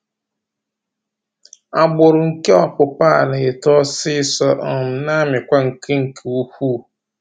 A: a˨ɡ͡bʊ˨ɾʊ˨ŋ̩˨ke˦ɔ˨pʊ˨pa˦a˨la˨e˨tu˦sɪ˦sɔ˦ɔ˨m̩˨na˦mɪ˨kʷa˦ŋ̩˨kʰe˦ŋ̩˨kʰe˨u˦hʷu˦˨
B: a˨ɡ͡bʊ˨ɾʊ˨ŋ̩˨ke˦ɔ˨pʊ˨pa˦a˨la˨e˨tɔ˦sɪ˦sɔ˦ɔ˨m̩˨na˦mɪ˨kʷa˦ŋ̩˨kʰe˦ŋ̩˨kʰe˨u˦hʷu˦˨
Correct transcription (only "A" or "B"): B